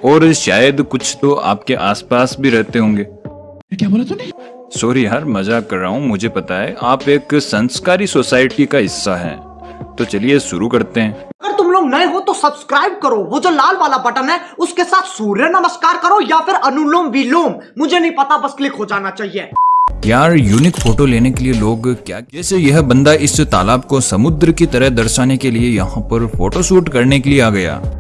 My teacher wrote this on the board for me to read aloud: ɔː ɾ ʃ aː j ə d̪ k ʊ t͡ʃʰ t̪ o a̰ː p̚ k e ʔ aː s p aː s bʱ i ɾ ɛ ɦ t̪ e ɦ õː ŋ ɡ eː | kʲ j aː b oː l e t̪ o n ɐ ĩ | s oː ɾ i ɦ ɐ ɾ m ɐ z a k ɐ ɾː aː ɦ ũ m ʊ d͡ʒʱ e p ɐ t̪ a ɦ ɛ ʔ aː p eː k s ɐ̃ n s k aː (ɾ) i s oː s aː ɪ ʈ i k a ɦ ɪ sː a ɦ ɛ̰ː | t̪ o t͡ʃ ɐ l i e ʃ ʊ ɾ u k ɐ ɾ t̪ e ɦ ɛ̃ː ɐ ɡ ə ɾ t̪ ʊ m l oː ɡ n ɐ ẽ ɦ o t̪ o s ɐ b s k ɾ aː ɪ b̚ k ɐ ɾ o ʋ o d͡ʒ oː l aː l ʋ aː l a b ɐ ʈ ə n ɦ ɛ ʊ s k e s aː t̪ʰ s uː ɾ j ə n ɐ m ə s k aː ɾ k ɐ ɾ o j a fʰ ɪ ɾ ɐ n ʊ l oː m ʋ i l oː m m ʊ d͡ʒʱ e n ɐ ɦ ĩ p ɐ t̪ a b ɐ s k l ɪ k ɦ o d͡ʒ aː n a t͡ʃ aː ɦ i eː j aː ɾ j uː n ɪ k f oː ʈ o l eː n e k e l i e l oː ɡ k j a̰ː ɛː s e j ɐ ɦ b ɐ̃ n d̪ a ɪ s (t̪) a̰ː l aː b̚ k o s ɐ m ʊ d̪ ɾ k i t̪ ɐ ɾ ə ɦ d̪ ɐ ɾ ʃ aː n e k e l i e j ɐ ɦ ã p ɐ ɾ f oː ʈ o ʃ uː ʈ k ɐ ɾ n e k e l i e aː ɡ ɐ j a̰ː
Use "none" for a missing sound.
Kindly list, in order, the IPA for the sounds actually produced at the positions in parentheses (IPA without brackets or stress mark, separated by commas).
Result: ɾ, t̪